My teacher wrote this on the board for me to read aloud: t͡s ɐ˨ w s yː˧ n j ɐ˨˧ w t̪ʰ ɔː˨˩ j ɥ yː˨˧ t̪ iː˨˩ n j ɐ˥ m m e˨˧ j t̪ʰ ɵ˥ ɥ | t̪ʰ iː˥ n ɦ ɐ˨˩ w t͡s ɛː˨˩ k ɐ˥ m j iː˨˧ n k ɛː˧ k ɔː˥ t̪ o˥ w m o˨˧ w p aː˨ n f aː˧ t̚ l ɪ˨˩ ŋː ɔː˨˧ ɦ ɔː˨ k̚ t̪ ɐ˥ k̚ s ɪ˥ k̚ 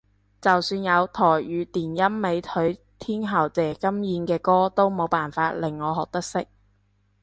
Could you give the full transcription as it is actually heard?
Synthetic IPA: t͡s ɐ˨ w s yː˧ n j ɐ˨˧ w t̪ʰ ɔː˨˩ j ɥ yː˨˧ t̪ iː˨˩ n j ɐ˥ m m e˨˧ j t̪ʰ ɵ˨˥ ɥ | t̪ʰ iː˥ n ɦ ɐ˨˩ w t͡s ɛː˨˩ k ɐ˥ m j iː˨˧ n k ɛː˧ k ɔː˥ t̪ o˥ w m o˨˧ w p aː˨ n f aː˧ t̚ l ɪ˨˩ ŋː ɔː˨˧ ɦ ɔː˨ k̚ t̪ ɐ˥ k̚ s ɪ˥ k̚